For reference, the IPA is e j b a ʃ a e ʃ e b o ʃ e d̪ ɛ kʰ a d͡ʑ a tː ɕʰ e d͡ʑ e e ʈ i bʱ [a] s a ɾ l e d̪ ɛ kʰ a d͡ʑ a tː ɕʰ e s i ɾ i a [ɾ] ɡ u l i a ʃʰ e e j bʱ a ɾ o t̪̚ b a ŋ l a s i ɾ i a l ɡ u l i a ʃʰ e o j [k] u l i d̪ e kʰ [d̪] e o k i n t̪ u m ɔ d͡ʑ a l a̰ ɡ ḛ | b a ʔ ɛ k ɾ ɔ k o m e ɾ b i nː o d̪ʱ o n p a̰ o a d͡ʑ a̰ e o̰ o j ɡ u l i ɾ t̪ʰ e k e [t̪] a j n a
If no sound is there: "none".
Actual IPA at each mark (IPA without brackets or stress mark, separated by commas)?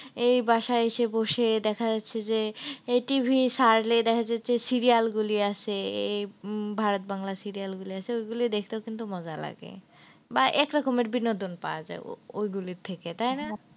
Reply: i, l, ɡ, t̪, t̪